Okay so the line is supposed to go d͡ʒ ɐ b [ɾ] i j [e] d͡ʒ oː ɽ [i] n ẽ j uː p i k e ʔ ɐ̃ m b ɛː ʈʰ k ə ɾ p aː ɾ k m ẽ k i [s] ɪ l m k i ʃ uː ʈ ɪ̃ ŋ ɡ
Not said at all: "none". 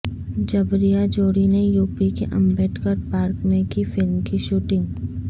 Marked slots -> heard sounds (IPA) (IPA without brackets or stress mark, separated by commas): ɾ, a, i, f